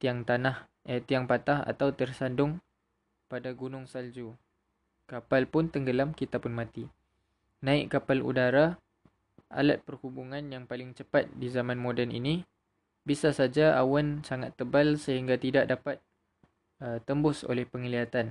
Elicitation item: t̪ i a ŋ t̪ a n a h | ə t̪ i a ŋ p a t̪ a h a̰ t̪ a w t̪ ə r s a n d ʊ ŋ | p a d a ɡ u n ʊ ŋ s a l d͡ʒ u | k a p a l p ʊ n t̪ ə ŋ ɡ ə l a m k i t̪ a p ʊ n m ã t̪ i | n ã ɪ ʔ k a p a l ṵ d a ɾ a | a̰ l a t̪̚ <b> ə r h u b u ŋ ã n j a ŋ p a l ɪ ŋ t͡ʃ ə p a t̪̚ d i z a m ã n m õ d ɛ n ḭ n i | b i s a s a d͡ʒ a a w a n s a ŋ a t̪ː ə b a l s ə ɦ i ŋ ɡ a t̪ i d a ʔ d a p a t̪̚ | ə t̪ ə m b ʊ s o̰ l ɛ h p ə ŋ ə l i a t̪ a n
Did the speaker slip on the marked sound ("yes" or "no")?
yes